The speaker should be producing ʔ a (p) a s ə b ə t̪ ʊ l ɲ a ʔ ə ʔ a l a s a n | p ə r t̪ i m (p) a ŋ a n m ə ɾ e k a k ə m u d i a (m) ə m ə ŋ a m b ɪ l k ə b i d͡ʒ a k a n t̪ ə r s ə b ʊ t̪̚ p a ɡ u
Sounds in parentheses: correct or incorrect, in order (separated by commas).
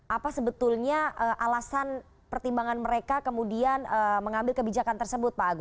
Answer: correct, incorrect, incorrect